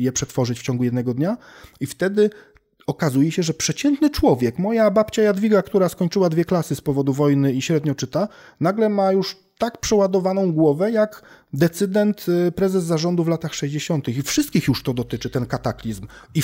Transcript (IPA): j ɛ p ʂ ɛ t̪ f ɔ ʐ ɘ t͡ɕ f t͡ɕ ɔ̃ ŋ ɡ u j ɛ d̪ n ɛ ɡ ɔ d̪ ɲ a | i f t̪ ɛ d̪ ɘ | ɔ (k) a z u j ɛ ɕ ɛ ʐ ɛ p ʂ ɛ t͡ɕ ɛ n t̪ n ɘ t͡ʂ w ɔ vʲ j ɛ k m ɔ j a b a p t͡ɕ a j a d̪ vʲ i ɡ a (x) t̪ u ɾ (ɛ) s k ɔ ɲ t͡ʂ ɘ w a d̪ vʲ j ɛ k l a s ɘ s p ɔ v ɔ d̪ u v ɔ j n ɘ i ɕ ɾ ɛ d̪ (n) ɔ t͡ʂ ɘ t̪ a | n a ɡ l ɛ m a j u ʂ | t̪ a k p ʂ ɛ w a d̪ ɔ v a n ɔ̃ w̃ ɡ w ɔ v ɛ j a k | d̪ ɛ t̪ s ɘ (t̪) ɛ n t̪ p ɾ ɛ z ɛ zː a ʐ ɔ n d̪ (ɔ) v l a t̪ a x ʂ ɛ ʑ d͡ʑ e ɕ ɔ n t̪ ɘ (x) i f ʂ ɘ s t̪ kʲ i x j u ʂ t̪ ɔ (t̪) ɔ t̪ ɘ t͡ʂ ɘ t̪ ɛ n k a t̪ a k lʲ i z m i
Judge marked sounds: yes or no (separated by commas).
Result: yes, no, no, no, no, no, yes, no